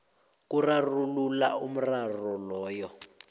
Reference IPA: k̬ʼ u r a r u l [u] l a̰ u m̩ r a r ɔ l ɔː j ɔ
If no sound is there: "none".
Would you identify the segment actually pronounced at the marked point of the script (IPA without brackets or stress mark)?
u